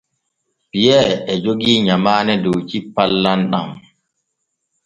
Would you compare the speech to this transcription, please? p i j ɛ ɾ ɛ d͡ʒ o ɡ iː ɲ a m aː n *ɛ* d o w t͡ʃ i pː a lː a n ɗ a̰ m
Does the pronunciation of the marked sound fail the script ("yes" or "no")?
no